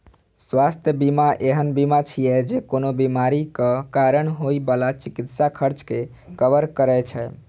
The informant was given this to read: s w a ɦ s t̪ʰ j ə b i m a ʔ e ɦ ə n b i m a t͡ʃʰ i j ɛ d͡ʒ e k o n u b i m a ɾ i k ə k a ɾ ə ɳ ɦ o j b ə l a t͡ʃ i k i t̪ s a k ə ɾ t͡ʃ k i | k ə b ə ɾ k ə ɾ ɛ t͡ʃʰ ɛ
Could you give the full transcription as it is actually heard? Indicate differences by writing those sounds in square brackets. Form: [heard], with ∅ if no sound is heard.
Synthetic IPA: s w a [∅] s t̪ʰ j ə b i m a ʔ e ɦ ə n b i m a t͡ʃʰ i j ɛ d͡ʒ e k o n [o] b i m a ɾ i k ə k a ɾ ə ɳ ɦ o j b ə l a t͡ʃ i k i t̪ s a [kʰ] ə ɾ t͡ʃ k [e] | k ə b ə ɾ k ə ɾ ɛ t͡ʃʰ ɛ